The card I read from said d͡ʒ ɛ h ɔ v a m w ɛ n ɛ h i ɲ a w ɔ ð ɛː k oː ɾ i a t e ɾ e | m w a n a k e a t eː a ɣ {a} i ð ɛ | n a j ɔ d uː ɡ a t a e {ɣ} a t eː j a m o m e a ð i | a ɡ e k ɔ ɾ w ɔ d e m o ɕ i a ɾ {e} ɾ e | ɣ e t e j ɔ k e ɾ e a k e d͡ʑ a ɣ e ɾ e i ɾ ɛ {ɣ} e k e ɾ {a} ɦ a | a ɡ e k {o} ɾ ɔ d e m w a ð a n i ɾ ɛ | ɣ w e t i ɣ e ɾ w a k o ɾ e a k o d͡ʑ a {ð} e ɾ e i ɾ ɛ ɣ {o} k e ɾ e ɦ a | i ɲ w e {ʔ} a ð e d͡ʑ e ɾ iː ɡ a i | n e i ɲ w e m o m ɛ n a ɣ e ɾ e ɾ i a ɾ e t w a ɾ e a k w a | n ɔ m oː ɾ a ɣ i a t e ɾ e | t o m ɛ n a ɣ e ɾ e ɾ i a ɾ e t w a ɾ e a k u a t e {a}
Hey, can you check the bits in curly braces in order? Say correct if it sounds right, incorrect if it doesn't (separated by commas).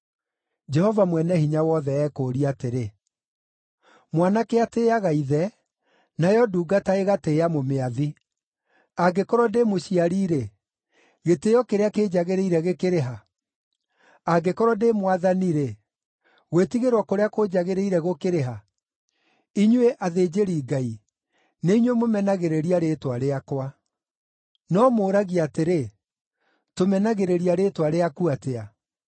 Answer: correct, correct, incorrect, correct, incorrect, incorrect, incorrect, correct, correct, correct